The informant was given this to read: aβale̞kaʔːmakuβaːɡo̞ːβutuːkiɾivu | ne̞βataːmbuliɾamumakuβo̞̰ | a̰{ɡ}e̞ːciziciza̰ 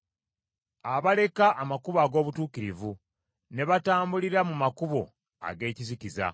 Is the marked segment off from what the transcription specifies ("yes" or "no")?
no